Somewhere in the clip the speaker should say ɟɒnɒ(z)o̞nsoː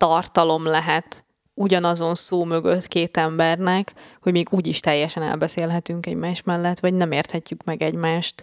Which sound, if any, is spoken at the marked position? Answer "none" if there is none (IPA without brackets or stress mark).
z